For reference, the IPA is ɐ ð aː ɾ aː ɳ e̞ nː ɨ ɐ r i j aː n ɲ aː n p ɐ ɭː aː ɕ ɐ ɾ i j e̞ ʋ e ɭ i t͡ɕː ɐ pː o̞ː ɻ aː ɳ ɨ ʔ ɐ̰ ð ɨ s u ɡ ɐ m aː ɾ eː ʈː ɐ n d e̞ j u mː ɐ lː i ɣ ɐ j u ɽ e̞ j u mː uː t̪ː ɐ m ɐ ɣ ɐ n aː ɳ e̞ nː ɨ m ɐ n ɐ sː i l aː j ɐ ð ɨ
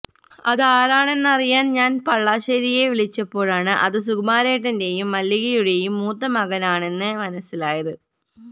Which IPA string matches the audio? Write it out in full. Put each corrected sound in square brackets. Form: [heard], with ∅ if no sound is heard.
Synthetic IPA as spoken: ɐ ð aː ɾ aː ɳ e̞ nː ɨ ɐ r i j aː n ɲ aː n p ɐ ɭː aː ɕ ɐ ɾ i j e̞ ʋ [i] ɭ i t͡ɕː ɐ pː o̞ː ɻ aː ɳ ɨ ʔ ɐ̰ ð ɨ s u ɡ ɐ m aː ɾ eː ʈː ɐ n d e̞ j u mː ɐ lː i ɣ ɐ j u ɽ e̞ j u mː uː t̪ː ɐ m ɐ ɣ ɐ n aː ɳ e̞ nː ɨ m ɐ n ɐ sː i l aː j ɐ ð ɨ